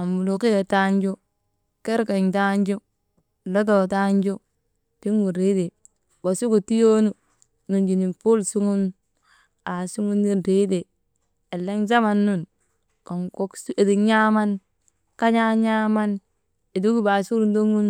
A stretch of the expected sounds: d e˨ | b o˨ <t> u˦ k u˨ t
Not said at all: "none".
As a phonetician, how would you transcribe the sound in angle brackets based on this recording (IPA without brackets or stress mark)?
s